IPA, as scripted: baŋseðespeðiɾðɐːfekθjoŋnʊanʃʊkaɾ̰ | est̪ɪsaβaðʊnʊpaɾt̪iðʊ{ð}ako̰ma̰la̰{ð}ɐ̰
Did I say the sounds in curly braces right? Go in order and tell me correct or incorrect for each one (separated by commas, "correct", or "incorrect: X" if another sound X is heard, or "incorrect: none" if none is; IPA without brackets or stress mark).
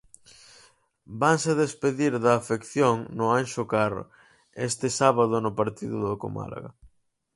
correct, incorrect: ɣ